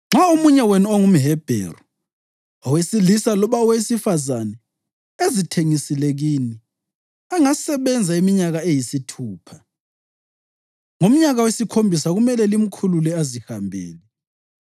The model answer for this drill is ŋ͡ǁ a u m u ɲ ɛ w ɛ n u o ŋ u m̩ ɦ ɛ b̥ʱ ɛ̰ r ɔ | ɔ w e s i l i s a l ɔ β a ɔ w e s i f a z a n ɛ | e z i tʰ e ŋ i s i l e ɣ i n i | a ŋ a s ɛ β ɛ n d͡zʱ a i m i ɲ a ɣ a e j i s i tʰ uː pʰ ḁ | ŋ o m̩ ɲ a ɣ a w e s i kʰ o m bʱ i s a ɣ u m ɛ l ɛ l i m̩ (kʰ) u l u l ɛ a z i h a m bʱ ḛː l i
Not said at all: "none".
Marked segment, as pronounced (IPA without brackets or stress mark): kʰ